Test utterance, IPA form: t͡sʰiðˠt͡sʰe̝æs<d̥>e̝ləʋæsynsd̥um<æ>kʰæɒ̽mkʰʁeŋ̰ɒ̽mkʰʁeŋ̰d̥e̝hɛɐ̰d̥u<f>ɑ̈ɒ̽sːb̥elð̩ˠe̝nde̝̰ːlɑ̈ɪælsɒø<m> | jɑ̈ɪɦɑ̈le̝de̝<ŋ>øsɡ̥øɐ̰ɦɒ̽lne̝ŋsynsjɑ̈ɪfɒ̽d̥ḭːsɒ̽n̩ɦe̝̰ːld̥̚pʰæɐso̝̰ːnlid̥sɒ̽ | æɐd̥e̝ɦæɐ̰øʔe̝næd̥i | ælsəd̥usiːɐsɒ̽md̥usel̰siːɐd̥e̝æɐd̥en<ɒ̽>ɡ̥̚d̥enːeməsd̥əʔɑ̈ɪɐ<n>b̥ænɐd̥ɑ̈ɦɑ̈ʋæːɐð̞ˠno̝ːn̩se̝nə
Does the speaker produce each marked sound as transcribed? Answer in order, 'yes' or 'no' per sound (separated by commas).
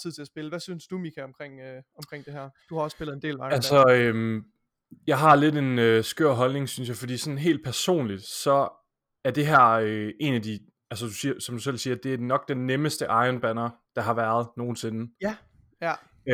no, no, no, yes, no, yes, yes